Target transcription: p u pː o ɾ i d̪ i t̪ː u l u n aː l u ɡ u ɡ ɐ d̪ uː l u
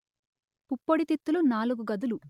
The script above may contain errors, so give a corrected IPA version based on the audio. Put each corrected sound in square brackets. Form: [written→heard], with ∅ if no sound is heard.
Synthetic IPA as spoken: p u pː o [ɾ→ɽ] i [d̪→t̪] i t̪ː u l u n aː l u ɡ u ɡ ɐ d̪ [uː→u] l u